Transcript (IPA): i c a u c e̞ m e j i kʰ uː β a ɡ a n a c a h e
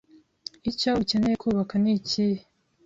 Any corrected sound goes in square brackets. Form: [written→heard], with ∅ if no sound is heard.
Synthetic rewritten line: i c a u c e̞ [m→n] e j [i→e] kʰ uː β a [ɡ→k] a n [a→i] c [a→i] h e